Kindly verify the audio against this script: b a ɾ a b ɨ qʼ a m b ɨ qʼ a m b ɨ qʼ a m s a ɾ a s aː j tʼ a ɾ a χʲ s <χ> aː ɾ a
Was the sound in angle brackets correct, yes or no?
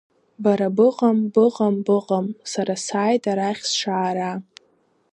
no